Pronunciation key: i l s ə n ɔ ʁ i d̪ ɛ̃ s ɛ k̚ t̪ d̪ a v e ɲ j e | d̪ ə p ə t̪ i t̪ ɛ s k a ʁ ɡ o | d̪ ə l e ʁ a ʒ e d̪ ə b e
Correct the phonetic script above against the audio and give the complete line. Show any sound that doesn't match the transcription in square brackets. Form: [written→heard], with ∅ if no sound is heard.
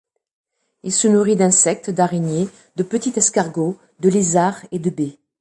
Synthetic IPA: i l s ə n [ɔ→u] ʁ i d̪ ɛ̃ s ɛ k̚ t̪ d̪ a [v→ʁ] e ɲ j e | d̪ ə p ə t̪ i t̪ ɛ s k a ʁ ɡ o | d̪ ə l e [ʁ→z] a [ʒ→ʁ] e d̪ ə b e